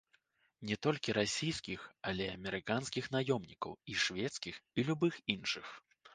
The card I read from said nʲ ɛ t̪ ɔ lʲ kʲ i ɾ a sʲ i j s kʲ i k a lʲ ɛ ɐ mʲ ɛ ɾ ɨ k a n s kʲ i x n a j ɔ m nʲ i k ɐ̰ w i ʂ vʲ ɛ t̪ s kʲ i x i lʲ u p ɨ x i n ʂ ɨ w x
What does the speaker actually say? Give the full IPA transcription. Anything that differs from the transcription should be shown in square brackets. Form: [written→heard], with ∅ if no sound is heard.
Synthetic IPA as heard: nʲ ɛ t̪ ɔ lʲ kʲ i ɾ a sʲ i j s kʲ i [k→x] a lʲ ɛ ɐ mʲ ɛ ɾ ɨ k a n s kʲ i x n a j ɔ m nʲ i k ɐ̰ w i ʂ vʲ ɛ t̪ s kʲ i x i lʲ u [p→b] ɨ x i n ʂ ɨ [w→∅] x